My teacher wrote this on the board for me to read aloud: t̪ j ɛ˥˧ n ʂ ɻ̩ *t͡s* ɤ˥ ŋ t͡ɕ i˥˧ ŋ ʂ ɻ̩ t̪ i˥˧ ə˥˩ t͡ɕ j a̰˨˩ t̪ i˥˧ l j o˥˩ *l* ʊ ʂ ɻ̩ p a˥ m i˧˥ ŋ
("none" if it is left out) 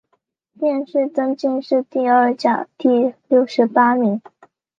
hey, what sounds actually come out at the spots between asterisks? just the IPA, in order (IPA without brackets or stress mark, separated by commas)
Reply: t͡s, none